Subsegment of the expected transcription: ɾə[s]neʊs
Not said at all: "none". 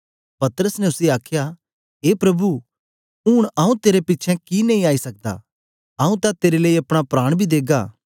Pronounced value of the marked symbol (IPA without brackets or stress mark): s